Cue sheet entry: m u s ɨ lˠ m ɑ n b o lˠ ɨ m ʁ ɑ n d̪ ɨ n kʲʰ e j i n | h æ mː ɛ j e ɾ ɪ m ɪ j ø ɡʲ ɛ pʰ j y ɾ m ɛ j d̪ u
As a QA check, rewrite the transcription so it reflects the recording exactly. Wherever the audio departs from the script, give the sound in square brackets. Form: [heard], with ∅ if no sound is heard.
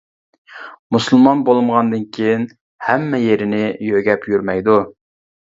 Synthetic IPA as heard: m u s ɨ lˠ m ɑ n b o lˠ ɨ m ʁ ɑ n d̪ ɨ n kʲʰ e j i n | h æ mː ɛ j e ɾ ɪ [n] ɪ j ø ɡʲ ɛ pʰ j y ɾ m ɛ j d̪ u